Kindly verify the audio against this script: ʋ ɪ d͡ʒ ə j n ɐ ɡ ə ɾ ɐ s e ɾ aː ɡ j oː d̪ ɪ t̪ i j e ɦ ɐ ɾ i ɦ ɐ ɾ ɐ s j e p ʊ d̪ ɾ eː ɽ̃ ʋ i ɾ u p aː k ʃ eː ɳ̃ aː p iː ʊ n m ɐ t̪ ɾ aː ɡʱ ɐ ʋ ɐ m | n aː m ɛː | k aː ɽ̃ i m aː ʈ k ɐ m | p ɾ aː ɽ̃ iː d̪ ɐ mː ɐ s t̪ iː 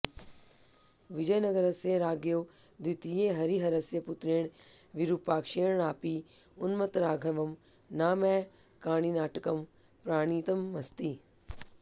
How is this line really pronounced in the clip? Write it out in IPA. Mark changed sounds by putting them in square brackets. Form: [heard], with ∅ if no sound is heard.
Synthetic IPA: ʋ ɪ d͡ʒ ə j n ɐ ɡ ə ɾ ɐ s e ɾ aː ɡ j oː d̪ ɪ t̪ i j e ɦ ɐ ɾ i ɦ ɐ ɾ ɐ s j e p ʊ [t̪] ɾ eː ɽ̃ ʋ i ɾ u p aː k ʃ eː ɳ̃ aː p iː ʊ n m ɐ t̪ ɾ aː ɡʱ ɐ ʋ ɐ m | n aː m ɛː | k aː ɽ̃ i [n] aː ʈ k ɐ m | p ɾ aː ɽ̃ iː [t̪] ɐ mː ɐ s t̪ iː